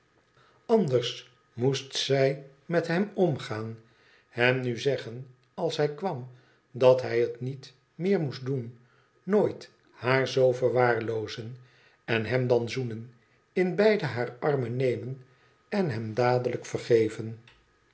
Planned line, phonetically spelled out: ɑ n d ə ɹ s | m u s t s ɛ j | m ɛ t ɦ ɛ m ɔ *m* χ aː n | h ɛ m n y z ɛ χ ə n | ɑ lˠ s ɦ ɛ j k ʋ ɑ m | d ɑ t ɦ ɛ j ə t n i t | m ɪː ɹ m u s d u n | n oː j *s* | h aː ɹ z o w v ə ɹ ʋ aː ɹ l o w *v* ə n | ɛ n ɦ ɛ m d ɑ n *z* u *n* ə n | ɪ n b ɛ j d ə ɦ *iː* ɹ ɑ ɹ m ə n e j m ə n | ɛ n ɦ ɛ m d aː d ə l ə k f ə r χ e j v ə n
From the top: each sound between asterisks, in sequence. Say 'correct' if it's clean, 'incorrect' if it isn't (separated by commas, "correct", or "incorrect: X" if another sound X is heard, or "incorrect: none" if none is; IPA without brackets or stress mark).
correct, incorrect: t, incorrect: z, correct, correct, incorrect: aː